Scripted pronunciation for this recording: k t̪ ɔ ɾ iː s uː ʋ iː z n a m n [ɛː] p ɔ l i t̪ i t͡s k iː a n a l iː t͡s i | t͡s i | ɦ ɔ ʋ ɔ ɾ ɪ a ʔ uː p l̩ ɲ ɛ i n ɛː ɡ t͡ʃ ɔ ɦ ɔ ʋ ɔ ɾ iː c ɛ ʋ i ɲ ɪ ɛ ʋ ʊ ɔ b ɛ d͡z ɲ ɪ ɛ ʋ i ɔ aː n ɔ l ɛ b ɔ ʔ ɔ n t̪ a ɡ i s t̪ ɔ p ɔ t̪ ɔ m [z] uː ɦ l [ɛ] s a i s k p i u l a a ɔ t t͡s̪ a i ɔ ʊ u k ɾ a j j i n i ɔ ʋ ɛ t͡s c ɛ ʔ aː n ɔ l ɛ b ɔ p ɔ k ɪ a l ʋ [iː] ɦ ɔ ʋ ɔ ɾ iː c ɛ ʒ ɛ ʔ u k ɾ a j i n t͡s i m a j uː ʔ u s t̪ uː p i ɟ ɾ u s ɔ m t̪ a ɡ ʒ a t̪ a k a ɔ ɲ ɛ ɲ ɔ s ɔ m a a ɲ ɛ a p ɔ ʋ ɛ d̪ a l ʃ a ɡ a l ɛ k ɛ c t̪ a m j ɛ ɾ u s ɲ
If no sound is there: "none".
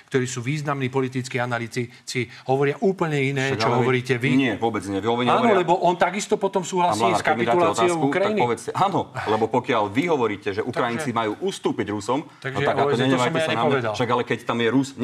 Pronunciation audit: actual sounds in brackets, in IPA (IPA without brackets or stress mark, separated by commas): iː, s, a, i